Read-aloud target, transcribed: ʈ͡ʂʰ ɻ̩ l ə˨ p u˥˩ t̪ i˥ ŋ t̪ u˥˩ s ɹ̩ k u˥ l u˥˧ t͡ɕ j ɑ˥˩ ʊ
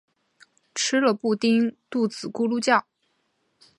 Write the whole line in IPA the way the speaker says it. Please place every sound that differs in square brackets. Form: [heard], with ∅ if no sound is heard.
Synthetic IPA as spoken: ʈ͡ʂʰ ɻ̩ l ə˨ p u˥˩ t̪ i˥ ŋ t̪ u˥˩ [t͡s] ɹ̩ k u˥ l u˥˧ t͡ɕ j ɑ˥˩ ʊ